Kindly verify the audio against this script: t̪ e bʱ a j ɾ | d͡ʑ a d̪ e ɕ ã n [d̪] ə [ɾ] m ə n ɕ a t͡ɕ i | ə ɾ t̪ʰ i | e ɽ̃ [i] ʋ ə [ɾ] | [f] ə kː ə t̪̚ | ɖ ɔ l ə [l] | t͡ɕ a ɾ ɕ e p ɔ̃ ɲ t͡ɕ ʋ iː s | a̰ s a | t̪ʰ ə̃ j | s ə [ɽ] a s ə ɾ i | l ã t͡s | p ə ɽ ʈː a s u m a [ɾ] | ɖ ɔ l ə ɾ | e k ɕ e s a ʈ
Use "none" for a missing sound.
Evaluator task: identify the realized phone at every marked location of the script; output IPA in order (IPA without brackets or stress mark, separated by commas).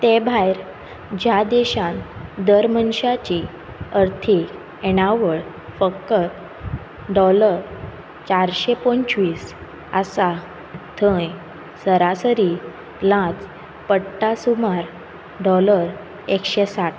d̪, ɾ, a, ɭ, f, ɾ, ɾ, ɾ